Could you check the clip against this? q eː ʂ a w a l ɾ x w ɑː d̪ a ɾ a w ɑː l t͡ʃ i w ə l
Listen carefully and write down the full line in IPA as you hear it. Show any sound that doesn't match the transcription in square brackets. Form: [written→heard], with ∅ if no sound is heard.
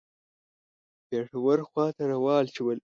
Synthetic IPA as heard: [q→p] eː ʂ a w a [l→∅] ɾ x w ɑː [d̪→t̪] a ɾ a w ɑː l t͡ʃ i w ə l